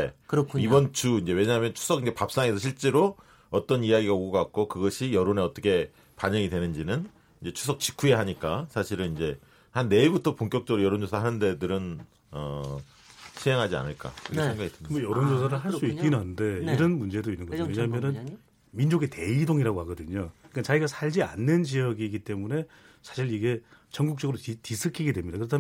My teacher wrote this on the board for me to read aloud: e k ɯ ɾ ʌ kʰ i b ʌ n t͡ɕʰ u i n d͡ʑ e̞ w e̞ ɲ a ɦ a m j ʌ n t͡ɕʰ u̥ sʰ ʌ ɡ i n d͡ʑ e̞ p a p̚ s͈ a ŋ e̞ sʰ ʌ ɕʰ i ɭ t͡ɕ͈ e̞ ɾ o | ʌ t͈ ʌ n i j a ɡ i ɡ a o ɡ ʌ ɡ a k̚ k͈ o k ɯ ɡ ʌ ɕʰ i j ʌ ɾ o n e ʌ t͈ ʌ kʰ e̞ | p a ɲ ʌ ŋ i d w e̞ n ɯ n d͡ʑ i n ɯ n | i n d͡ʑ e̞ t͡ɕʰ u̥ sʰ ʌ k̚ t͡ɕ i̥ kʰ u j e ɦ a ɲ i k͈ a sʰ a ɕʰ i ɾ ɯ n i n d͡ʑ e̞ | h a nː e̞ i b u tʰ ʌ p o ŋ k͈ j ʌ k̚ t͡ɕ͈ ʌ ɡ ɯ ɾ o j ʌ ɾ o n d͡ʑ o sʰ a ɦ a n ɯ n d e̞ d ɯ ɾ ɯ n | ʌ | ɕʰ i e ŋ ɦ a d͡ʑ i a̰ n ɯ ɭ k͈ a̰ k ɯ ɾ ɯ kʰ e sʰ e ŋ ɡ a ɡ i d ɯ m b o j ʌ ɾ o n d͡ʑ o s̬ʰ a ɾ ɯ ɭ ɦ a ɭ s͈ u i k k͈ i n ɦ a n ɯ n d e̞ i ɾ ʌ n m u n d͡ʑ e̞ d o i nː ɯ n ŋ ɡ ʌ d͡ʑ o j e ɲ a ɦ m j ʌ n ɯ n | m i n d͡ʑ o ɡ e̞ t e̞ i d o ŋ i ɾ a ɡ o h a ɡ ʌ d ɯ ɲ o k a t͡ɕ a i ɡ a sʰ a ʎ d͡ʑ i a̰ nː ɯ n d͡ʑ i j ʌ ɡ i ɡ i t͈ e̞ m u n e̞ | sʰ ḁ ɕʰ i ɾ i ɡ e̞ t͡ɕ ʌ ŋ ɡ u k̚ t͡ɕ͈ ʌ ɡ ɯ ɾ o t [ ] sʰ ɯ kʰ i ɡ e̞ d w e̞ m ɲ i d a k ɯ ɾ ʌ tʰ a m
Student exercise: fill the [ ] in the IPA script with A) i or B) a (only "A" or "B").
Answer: A